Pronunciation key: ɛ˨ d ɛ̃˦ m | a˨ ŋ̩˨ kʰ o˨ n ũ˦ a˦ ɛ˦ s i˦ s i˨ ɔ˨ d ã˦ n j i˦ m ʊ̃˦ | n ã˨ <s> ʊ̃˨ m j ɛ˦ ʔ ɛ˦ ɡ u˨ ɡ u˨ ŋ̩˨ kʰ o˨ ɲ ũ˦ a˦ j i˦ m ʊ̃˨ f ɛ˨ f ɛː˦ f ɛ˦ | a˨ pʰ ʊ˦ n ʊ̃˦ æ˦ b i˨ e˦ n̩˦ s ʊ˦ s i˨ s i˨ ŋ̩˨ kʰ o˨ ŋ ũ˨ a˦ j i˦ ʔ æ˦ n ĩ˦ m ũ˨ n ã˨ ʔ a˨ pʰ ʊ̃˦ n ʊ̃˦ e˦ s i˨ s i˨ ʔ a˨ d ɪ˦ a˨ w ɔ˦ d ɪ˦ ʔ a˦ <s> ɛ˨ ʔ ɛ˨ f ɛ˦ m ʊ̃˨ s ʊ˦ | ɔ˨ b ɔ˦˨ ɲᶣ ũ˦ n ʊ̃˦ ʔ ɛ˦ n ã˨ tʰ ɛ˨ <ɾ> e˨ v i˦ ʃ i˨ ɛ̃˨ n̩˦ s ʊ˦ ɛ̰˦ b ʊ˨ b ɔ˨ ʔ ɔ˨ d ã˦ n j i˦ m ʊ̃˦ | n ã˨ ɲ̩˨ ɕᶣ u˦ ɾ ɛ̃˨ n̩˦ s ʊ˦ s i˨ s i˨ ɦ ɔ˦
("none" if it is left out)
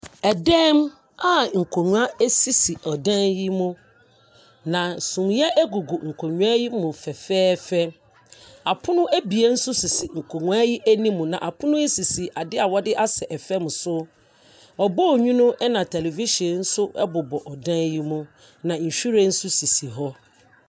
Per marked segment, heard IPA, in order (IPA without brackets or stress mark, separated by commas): s, s, l